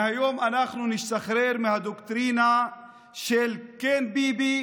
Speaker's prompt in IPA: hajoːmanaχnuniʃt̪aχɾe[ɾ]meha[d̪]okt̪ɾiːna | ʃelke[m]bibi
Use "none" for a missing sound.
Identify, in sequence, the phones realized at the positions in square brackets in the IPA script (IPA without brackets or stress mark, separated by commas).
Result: ɾ, d̪, n